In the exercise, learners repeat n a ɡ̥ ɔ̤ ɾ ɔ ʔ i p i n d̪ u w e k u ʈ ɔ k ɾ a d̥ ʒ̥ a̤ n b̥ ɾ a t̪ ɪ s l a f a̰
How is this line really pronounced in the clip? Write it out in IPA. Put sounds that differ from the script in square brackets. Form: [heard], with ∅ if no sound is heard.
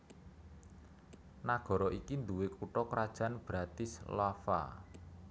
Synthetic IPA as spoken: n a ɡ̥ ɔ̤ ɾ ɔ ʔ i [k] i n d̪ u w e k u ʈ ɔ k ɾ a d̥ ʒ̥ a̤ n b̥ ɾ a t̪ ɪ s l a f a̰